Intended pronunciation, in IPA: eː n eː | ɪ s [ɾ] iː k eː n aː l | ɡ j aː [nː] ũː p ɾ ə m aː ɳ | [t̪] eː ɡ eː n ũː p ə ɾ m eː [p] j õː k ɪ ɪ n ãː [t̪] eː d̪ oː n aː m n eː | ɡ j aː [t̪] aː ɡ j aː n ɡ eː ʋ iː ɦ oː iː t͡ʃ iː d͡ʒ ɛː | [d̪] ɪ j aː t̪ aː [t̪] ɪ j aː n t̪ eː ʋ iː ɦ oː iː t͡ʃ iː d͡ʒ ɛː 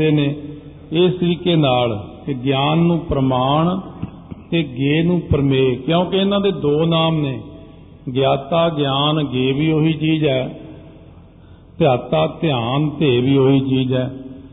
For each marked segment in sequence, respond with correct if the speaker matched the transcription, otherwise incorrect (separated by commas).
correct, correct, correct, incorrect, incorrect, correct, incorrect, correct